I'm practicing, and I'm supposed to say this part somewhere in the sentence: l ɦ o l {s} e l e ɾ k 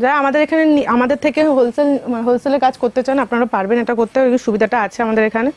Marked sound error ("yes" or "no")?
no